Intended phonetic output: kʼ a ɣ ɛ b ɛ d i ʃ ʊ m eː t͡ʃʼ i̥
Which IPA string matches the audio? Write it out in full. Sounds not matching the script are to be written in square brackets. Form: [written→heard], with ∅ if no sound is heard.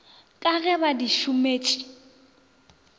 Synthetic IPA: kʼ a ɣ ɛ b [ɛ→a] d i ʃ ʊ m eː t͡ʃʼ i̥